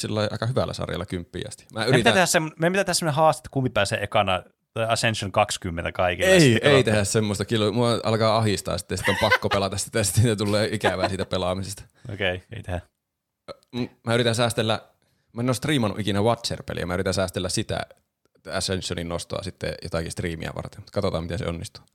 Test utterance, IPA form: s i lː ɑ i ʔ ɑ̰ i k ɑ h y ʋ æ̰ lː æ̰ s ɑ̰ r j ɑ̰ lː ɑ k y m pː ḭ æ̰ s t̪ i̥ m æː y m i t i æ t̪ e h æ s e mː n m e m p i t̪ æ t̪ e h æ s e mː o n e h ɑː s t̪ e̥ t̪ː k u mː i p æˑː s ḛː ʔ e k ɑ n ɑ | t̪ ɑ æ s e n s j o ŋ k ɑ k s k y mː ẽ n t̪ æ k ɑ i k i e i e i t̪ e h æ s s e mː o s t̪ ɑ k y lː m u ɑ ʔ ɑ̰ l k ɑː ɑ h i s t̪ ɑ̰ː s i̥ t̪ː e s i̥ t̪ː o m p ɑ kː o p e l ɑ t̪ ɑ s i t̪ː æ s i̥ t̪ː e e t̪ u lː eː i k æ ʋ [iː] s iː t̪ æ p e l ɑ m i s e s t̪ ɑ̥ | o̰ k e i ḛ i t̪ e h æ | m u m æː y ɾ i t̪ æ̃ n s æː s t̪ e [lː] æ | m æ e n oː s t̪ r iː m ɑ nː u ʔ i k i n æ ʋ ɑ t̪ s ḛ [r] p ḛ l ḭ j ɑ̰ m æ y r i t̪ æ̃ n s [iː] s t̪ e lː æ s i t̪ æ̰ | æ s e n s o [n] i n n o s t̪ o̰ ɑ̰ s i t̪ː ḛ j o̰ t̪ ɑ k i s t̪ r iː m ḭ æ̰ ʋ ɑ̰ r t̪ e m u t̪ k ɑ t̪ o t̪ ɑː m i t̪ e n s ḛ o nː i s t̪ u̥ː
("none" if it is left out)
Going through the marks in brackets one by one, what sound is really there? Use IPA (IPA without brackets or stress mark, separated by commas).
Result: æː, lː, r, æː, n